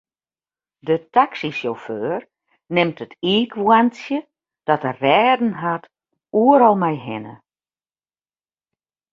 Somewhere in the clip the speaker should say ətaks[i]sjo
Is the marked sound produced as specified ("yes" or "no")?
yes